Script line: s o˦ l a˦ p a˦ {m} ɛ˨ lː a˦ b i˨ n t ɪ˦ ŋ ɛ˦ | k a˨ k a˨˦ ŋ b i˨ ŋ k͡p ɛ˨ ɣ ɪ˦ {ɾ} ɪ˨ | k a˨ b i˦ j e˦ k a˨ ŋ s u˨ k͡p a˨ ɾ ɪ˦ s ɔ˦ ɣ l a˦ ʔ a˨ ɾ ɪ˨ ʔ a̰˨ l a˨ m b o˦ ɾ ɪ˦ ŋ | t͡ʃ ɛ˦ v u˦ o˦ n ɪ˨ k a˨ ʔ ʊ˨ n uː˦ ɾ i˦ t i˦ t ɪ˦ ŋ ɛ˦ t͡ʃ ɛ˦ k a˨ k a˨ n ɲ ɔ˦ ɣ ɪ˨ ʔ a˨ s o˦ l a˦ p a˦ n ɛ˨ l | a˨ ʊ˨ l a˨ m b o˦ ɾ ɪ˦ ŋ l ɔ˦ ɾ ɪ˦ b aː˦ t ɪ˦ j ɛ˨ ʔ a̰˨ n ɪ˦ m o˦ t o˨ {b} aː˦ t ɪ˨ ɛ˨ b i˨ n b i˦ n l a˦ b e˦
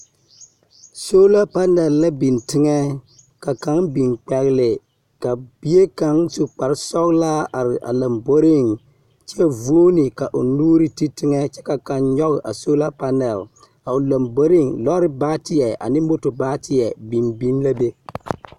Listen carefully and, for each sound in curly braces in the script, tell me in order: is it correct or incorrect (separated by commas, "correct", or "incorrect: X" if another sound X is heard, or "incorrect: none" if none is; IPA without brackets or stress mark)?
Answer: incorrect: n, incorrect: l, correct